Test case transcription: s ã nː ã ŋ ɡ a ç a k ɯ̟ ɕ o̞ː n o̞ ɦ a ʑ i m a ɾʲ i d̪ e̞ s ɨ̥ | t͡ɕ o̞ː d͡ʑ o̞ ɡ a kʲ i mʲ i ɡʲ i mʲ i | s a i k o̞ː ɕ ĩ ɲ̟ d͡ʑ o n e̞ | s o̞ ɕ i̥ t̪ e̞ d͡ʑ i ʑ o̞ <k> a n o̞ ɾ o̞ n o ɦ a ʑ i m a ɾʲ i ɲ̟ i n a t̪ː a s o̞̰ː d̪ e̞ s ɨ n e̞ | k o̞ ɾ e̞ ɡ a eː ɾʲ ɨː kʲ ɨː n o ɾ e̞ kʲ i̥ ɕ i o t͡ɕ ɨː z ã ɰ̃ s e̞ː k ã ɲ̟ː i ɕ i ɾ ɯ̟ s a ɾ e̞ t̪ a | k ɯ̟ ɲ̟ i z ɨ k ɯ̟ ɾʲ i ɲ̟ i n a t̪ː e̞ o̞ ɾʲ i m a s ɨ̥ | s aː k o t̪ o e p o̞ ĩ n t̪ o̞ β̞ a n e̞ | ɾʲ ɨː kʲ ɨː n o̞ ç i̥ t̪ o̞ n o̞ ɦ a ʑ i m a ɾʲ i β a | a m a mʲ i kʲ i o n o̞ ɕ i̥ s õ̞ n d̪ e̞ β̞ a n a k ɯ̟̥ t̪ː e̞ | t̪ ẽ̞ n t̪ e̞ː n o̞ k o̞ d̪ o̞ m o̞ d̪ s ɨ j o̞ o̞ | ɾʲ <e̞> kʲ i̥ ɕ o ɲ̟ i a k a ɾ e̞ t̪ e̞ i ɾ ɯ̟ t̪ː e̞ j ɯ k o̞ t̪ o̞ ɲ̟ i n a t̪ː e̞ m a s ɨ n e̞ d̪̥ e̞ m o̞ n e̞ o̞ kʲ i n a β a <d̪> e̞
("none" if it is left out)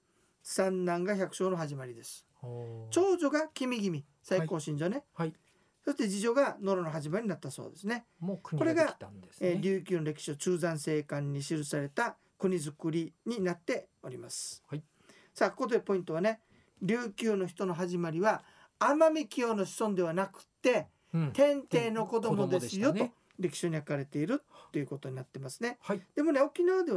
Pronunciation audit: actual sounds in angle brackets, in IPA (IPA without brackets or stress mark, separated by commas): ɡ, e̞, d̪